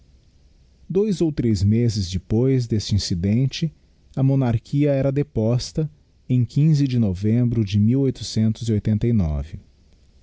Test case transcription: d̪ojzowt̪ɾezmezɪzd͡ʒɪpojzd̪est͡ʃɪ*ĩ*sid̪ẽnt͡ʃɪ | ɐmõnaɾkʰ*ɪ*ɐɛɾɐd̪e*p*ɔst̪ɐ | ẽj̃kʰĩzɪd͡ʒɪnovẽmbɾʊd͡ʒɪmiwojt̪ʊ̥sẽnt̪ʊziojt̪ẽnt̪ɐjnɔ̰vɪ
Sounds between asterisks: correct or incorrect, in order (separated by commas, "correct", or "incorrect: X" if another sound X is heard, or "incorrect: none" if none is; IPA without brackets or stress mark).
correct, incorrect: i, correct